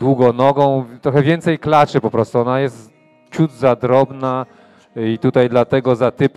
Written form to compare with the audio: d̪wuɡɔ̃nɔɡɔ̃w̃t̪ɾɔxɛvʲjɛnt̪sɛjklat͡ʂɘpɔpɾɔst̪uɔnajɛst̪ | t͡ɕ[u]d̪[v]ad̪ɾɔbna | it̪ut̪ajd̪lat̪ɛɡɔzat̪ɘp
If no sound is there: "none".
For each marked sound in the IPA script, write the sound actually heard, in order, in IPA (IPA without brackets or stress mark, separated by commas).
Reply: u, z